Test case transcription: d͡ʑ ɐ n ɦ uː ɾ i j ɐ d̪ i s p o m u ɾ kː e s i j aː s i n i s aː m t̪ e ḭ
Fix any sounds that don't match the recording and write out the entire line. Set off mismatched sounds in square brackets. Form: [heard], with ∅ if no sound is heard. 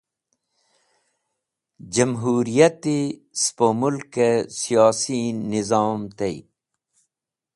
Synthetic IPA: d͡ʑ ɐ [m] ɦ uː ɾ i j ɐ [t̪] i s p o m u [l] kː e s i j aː s i n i [z] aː m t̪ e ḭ